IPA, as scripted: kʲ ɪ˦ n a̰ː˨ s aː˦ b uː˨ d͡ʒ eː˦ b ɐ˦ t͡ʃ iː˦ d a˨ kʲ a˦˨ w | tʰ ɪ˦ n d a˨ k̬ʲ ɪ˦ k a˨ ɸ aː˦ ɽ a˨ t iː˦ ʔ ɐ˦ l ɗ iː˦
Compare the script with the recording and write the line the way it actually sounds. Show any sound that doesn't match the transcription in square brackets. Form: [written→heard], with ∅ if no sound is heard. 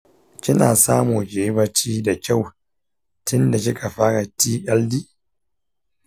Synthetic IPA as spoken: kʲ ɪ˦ n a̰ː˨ s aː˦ [b→m] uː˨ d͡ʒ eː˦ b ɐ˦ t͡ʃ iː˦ d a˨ kʲ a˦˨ w | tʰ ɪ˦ n d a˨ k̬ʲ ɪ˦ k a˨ ɸ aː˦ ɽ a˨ t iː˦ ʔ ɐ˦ l [ɗ→d] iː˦